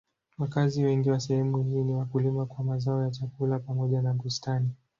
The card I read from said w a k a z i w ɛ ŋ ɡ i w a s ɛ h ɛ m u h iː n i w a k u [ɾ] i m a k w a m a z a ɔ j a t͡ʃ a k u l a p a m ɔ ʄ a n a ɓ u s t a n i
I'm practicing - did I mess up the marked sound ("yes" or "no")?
yes